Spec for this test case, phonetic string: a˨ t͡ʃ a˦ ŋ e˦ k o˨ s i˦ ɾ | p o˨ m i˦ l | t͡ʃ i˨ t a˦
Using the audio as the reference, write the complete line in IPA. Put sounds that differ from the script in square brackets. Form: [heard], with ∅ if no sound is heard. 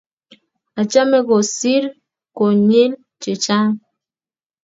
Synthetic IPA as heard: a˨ t͡ʃ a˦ [m] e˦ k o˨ s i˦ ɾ | [k] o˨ [ɲ] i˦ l | t͡ʃ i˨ [t͡ʃ] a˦